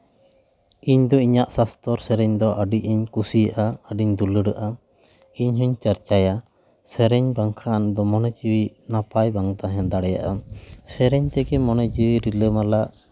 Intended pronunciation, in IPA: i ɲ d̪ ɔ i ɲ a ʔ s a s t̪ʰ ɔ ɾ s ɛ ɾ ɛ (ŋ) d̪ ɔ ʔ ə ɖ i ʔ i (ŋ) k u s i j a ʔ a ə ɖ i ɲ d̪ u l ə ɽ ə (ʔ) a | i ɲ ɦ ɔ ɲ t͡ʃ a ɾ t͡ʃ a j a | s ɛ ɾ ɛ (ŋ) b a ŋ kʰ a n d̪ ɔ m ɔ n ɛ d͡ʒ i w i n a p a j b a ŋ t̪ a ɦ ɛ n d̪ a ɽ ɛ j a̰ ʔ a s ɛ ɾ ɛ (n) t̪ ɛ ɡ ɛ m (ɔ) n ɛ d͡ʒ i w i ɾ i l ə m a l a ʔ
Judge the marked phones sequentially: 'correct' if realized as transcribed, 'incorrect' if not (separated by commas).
incorrect, incorrect, correct, incorrect, incorrect, correct